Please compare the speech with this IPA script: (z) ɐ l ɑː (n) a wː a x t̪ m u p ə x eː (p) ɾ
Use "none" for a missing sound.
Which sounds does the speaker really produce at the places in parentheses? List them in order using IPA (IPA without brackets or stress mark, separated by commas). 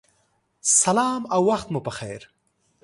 s, m, none